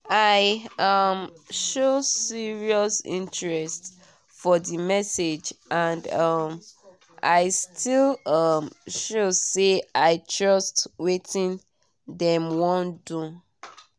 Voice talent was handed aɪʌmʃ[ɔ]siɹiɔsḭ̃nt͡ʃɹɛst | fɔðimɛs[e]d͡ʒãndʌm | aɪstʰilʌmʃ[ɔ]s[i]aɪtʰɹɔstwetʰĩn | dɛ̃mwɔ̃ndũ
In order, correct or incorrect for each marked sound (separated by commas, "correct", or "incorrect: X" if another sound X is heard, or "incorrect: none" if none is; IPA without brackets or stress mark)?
incorrect: o, correct, incorrect: o, incorrect: e